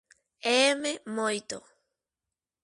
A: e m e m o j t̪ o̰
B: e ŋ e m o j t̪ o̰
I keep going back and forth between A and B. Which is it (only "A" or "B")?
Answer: A